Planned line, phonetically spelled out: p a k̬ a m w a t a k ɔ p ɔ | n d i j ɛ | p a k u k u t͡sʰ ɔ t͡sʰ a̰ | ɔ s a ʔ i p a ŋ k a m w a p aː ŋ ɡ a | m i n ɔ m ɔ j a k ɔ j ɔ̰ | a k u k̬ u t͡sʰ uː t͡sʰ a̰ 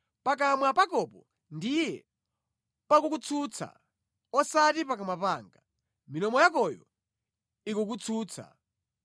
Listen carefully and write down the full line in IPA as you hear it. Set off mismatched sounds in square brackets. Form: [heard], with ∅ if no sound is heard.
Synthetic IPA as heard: p a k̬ a m w a [p] a k ɔ p ɔ | n d i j ɛ | p a k u k u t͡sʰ [u] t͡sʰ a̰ | ɔ s a [t] i p a [∅] k a m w a p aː ŋ ɡ a | m i n ɔ m ɔ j a k ɔ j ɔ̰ | [i] k u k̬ u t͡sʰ uː t͡sʰ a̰